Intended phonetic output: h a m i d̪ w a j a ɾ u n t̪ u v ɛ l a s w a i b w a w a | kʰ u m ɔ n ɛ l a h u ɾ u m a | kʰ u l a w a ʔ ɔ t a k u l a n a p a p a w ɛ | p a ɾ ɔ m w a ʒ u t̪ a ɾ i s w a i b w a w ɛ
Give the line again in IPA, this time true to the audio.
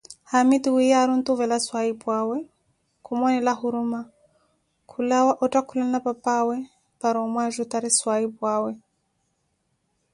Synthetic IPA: h a m i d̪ w i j a ɾ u n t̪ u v ɛ l a s w a i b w a w ɛ | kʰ u m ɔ n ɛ l a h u ɾ u m a | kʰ u l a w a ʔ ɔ t a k u l a n a p a p a w ɛ | p a ɾ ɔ m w a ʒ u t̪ a ɾ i s w a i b w a w ɛ